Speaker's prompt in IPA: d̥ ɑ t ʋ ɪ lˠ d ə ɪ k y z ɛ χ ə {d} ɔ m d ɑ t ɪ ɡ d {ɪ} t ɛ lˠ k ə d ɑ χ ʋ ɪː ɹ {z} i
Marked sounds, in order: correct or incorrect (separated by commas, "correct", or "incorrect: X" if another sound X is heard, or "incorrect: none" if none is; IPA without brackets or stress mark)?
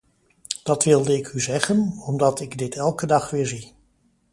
incorrect: n, correct, correct